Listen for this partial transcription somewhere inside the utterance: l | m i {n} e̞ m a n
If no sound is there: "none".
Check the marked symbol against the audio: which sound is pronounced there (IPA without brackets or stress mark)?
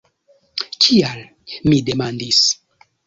d